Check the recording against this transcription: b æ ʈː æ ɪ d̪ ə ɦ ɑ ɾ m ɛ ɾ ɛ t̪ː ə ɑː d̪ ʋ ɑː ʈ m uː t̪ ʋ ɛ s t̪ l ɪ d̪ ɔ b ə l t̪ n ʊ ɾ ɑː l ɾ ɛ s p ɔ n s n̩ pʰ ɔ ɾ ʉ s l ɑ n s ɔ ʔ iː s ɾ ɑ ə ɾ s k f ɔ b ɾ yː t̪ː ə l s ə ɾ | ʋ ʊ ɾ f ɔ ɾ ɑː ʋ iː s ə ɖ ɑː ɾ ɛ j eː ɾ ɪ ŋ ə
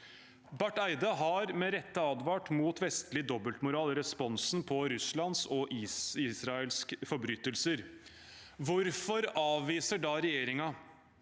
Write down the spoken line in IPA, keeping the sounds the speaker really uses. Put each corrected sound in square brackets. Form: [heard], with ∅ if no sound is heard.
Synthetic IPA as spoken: b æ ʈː æ ɪ d̪ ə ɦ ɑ ɾ m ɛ ɾ ɛ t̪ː ə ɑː d̪ ʋ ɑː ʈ m uː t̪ ʋ ɛ s t̪ l ɪ d̪ ɔ b ə l t̪ [m] ʊ ɾ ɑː l ɾ ɛ s p ɔ n s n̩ pʰ ɔ ɾ ʉ s l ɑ n s ɔ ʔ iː s ɾ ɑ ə [l] s k f ɔ b ɾ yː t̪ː ə l s ə ɾ | ʋ ʊ ɾ f ɔ ɾ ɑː ʋ iː s ə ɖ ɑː ɾ ɛ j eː ɾ ɪ ŋ [ɑ]